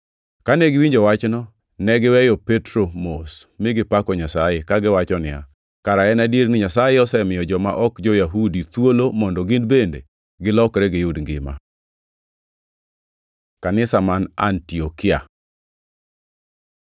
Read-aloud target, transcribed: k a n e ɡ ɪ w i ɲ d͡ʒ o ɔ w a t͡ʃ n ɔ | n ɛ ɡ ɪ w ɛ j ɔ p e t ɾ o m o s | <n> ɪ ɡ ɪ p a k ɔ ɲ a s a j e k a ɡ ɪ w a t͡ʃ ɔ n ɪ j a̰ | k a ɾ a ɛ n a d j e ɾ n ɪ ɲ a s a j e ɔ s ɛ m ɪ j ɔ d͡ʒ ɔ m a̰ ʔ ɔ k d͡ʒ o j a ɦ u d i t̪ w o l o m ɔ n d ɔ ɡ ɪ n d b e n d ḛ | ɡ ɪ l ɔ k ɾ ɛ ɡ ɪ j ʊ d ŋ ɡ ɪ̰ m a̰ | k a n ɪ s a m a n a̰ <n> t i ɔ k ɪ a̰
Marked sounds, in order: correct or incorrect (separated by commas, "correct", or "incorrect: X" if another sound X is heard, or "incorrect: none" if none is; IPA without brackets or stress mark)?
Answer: incorrect: m, correct